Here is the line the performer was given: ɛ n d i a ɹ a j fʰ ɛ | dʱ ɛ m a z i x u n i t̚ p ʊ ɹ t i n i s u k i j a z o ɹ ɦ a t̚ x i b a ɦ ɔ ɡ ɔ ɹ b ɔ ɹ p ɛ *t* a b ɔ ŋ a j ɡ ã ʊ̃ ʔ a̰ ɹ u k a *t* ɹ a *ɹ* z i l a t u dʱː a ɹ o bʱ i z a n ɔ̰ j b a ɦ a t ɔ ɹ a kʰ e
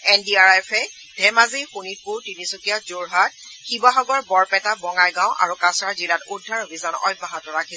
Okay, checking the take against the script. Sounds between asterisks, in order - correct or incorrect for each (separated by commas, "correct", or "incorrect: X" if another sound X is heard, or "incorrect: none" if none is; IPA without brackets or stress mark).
correct, incorrect: s, correct